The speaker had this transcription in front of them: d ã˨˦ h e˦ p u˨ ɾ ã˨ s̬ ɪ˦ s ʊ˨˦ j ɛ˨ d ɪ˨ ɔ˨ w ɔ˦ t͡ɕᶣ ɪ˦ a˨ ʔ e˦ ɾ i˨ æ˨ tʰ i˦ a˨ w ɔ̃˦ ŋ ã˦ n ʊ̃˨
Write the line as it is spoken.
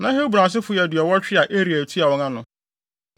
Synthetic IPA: n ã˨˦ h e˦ b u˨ ɾ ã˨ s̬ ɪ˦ f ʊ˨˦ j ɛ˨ d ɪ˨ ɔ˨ w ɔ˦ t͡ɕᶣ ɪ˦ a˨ ʔ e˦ ɾ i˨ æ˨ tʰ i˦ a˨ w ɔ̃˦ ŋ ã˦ n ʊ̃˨